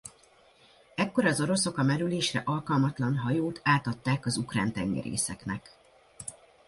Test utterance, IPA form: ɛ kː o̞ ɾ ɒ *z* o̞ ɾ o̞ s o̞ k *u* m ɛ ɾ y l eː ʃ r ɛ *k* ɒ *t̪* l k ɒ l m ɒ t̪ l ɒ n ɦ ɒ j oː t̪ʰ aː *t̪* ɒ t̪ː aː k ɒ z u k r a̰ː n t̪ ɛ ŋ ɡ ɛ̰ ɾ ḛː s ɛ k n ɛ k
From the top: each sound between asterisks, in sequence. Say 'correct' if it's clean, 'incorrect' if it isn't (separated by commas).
correct, incorrect, incorrect, incorrect, correct